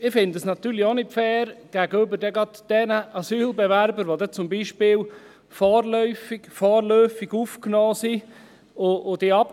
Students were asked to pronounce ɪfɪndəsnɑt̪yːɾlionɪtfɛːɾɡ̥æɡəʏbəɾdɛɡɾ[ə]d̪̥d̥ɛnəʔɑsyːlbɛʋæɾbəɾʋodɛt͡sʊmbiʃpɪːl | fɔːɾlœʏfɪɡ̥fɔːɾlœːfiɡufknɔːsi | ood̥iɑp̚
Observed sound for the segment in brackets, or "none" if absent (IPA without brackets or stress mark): ɑ